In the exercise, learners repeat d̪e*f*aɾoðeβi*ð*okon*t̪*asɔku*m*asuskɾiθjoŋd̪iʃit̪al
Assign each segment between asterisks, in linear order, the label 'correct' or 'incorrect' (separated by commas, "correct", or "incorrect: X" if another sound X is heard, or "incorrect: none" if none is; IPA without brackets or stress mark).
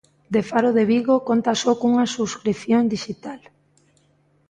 correct, incorrect: ɣ, correct, incorrect: ŋ